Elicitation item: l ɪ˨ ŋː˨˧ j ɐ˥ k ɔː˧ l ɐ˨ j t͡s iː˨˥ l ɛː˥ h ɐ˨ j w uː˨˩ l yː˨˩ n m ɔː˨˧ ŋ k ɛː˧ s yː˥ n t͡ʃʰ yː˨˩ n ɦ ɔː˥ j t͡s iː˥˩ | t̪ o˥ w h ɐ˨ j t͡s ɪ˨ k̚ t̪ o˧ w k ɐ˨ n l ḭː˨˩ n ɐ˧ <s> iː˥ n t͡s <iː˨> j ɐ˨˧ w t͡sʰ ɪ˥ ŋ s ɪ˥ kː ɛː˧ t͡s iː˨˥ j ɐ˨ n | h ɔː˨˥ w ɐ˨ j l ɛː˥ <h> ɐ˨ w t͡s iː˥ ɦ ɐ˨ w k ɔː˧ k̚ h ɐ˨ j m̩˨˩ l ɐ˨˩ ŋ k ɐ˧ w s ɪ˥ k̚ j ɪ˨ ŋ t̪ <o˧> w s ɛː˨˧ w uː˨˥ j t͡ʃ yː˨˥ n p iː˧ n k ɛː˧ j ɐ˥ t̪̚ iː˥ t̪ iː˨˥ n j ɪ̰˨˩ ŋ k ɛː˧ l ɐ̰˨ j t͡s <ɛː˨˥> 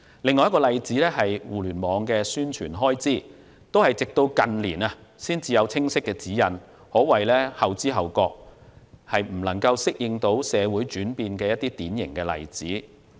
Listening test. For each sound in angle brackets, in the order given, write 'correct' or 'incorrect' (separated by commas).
correct, correct, correct, incorrect, incorrect